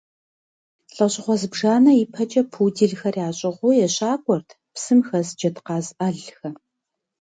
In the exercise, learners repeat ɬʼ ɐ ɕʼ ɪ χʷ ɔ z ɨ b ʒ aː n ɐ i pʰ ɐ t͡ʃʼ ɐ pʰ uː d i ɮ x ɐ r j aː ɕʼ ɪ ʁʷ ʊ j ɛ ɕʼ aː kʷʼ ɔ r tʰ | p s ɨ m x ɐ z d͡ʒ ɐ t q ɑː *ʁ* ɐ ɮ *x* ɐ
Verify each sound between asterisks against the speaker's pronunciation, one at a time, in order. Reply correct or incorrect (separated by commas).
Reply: incorrect, correct